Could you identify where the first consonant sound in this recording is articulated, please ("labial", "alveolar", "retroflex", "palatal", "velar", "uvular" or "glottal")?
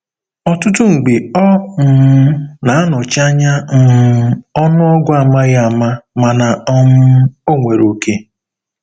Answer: alveolar